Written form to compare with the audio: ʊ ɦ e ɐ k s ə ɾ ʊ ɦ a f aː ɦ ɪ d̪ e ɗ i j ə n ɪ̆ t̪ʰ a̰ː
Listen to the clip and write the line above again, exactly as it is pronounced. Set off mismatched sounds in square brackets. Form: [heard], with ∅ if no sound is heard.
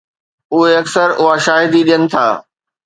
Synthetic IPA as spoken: ʊ ɦ e ɐ k s ə ɾ ʊ ɦ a [ʃ] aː ɦ ɪ d̪ [i] ɗ i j ə n ɪ̆ t̪ʰ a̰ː